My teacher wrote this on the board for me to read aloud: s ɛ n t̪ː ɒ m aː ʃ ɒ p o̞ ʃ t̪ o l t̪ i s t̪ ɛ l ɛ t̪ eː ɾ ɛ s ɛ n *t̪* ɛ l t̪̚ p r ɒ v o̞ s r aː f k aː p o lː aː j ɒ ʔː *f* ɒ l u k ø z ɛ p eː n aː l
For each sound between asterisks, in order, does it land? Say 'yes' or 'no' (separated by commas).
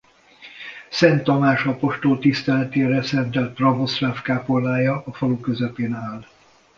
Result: yes, yes